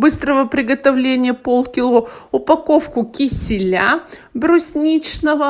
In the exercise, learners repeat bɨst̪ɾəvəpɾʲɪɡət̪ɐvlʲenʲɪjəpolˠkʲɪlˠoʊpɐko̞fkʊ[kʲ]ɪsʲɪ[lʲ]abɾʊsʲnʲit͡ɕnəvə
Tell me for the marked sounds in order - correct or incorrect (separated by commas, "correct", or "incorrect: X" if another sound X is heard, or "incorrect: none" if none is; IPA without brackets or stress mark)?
correct, correct